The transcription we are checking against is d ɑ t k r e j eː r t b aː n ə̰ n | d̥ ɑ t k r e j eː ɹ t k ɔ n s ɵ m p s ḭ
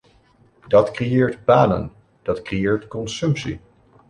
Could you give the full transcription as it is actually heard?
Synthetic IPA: d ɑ t k r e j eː ɹ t b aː n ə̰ n | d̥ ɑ t k r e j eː ɹ t k ɔ n s ɵ m p s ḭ